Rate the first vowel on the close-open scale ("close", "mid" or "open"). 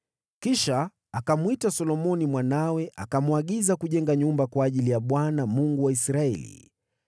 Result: close